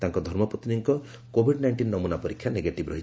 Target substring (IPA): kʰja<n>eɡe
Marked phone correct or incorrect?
correct